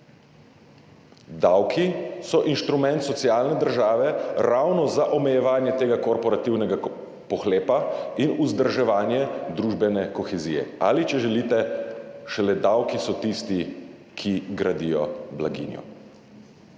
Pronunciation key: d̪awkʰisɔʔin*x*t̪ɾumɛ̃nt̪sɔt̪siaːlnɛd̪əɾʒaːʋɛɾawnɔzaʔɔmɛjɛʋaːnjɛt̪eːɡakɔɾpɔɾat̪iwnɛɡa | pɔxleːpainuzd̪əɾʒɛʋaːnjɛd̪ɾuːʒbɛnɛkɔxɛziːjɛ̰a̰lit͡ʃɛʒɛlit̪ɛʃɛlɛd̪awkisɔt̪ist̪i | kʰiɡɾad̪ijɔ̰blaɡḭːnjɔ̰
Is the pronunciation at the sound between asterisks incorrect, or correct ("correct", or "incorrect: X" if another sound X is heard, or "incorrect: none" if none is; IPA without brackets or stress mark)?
incorrect: ʃ